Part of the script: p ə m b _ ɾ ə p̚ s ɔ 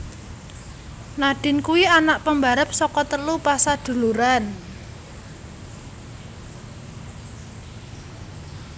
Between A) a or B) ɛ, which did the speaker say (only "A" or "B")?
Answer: A